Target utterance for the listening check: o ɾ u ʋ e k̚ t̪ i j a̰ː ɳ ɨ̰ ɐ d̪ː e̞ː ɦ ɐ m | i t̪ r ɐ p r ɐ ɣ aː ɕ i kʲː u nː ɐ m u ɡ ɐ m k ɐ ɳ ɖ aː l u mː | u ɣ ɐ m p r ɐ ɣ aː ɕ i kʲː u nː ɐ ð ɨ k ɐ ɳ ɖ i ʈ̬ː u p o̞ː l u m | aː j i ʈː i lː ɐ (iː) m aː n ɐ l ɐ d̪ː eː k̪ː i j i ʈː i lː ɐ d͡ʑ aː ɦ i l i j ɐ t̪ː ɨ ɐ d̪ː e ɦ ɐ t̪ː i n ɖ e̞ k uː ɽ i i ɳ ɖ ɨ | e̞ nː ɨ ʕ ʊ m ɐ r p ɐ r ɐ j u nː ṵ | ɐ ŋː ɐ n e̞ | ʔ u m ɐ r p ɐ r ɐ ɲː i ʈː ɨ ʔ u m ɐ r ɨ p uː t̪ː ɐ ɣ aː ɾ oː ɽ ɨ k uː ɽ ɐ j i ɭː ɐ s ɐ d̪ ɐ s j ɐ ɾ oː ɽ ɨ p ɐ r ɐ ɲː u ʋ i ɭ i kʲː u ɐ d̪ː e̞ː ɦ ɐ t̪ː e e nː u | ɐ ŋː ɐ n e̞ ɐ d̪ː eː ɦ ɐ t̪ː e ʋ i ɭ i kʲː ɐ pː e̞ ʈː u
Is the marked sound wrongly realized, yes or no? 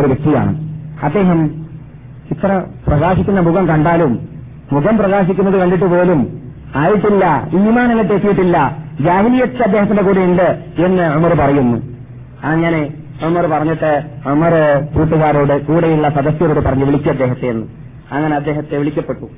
no